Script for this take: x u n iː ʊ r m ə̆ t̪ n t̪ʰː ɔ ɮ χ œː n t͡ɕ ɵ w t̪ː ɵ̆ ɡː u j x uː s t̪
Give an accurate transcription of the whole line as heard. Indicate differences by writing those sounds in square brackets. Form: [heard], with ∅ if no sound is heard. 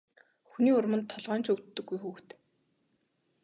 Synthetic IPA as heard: x u n iː ʊ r m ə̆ [∅] n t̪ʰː ɔ ɮ [ʁ] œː n t͡ɕ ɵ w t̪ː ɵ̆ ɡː u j x uː [x] t̪